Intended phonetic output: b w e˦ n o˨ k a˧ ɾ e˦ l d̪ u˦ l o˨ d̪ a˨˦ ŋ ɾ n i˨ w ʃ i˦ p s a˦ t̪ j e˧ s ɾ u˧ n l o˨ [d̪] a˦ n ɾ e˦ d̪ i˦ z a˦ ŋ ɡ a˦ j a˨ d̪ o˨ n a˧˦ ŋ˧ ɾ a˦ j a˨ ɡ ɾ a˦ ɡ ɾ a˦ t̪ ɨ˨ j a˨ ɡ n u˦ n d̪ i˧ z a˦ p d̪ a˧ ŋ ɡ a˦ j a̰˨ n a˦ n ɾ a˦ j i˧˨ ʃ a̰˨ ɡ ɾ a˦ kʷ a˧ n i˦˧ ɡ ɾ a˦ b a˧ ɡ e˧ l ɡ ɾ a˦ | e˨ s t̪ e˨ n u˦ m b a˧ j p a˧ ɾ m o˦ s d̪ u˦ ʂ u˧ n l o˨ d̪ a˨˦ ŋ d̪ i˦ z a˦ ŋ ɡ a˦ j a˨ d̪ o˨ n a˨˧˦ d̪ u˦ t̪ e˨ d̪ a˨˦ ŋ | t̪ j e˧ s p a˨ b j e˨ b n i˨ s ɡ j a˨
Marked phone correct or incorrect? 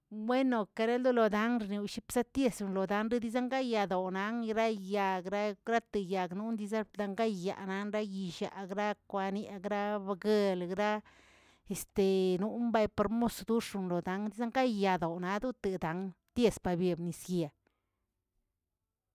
correct